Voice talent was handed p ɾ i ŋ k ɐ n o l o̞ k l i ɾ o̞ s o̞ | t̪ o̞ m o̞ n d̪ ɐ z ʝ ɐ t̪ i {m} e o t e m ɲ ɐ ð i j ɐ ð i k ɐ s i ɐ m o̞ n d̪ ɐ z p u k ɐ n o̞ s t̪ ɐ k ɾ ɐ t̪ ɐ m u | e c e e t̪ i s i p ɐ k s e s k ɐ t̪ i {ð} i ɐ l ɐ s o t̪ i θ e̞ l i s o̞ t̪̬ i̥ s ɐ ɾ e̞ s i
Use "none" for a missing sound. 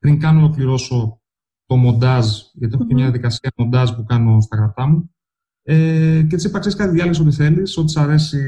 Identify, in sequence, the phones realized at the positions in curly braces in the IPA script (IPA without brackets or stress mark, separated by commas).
none, ð